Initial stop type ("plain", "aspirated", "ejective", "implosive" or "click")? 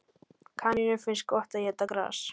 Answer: aspirated